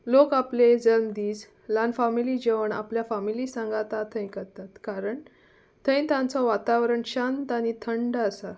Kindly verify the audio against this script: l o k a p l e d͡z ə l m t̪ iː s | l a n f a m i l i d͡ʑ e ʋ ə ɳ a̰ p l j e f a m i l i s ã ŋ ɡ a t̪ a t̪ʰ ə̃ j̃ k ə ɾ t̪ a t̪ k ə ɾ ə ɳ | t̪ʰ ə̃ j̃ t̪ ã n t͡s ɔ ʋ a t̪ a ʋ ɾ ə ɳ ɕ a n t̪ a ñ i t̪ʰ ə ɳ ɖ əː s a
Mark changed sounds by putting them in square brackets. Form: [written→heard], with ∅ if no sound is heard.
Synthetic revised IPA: l o k a p l e d͡z ə l m [t̪→d̪] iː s | l a n f a m i l i d͡ʑ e ʋ ə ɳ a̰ p l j [e→a] f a m i l i s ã ŋ ɡ a t̪ a t̪ʰ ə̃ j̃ k ə ɾ t̪ a t̪ k [ə→a] ɾ ə ɳ | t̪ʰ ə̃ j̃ t̪ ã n t͡s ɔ ʋ a t̪ a ʋ ɾ ə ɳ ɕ a n t̪ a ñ i t̪ʰ ə ɳ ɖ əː s a